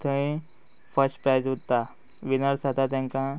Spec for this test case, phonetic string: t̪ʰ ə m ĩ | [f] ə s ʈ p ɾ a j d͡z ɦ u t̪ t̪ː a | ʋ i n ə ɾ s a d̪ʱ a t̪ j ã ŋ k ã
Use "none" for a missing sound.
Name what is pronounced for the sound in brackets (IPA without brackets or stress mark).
f